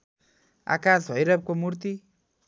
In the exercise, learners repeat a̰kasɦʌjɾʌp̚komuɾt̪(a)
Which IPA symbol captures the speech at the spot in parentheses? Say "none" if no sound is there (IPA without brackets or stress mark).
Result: i